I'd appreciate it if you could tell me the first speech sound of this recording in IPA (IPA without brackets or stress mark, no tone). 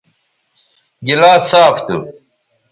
ɡ